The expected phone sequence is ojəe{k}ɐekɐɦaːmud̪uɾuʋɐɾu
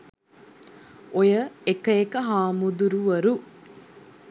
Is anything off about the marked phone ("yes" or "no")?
no